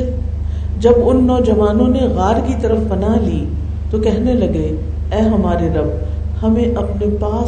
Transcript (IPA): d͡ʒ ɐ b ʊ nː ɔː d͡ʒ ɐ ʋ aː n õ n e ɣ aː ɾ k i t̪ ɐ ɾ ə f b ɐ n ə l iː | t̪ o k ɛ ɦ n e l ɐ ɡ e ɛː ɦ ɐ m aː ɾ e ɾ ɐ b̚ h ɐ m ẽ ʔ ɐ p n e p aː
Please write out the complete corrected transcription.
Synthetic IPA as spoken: d͡ʒ ɐ b ʊ nː ɔː d͡ʒ ɐ ʋ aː n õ n e ɣ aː ɾ k i t̪ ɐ ɾ ə f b ɐ n a l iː | t̪ o k ɛ ɦ n e l ɐ ɡ e ɛː ɦ ɐ m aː ɾ e ɾ ɐ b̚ h ɐ m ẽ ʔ ɐ p n e p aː